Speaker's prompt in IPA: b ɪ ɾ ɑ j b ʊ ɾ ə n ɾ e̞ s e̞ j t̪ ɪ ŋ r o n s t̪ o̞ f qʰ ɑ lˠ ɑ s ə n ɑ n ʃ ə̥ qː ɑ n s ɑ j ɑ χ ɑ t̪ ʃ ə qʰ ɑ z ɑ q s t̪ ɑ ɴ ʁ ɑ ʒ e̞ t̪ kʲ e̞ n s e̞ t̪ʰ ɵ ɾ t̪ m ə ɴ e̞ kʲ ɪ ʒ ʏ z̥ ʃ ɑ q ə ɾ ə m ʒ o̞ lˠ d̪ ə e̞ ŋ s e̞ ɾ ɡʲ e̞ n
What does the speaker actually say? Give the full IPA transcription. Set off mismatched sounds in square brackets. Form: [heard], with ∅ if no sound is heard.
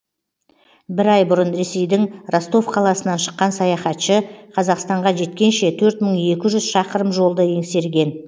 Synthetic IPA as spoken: b ɪ ɾ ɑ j b ʊ ɾ ə n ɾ e̞ s e̞ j [d̪] ɪ ŋ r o [∅] s t̪ o̞ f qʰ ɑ lˠ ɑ s ə n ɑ n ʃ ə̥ qː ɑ n s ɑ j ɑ χ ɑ t̪ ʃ ə qʰ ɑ z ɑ q s t̪ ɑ ɴ ʁ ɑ ʒ e̞ t̪ kʲ e̞ n [ʃ] e̞ t̪ʰ ɵ ɾ t̪ m ə ɴ e̞ kʲ ɪ ʒ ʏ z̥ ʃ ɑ q ə ɾ ə m ʒ o̞ lˠ d̪ ə e̞ ŋ s e̞ ɾ ɡʲ e̞ n

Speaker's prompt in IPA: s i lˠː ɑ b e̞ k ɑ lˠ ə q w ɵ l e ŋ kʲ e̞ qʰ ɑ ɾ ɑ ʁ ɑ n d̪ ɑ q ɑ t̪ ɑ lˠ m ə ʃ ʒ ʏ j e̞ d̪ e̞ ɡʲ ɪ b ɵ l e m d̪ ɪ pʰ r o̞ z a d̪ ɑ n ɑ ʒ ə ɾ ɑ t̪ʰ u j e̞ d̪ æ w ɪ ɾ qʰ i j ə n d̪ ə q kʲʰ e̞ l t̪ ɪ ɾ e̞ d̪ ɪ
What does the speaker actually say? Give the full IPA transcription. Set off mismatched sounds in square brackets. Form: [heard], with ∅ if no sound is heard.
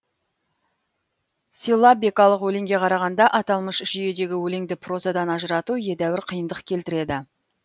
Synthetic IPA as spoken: s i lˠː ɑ b e̞ k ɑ lˠ ə q w ɵ l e ŋ [ɡʲ] e̞ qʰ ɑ ɾ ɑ ʁ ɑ n d̪ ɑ [ʔ] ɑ t̪ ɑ lˠ m ə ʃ ʒ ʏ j e̞ d̪ e̞ ɡʲ ɪ [w] ɵ l e [ŋ] d̪ ɪ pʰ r o̞ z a d̪ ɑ n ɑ ʒ ə ɾ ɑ [t̪] u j e̞ d̪ æ w ɪ ɾ qʰ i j ə n d̪ ə q kʲʰ e̞ l t̪ ɪ ɾ e̞ d̪ ɪ

